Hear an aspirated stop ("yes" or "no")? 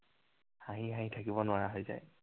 yes